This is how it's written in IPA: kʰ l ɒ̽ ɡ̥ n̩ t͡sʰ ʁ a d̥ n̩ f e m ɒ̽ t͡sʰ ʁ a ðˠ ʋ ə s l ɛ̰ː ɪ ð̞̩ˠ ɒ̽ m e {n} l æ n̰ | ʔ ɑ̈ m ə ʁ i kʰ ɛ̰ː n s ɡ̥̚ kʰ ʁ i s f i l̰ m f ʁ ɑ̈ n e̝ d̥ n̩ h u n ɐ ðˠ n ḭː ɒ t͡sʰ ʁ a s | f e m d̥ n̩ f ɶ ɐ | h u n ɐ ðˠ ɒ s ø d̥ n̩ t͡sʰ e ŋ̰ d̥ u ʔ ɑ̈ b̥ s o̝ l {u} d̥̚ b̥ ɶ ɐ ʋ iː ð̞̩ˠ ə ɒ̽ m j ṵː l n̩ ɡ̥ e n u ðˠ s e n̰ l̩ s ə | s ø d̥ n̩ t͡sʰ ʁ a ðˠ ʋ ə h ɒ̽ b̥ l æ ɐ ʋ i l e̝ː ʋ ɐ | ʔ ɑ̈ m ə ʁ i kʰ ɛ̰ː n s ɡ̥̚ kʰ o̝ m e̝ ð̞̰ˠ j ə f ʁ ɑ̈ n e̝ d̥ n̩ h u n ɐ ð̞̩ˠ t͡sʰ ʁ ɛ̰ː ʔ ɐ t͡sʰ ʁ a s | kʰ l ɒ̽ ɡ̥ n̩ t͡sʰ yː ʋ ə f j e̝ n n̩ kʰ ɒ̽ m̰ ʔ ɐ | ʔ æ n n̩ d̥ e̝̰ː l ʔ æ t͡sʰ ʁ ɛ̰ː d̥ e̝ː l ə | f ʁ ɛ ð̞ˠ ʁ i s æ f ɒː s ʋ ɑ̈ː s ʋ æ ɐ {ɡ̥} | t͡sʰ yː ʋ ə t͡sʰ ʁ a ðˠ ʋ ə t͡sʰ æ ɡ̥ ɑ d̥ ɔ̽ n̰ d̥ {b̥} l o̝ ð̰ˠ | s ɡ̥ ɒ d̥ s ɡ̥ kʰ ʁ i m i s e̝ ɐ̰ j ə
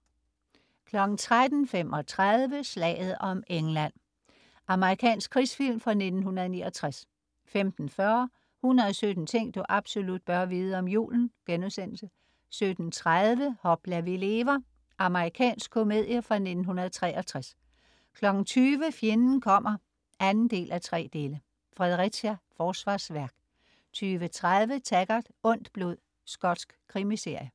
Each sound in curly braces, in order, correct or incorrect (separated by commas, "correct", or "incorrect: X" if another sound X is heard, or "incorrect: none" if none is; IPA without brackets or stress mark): incorrect: ŋ, correct, correct, correct